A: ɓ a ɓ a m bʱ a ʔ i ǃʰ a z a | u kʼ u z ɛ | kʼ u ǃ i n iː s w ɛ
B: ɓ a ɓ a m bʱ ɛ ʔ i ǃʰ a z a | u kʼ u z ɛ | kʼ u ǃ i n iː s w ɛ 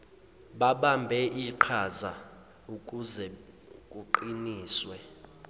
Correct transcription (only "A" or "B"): B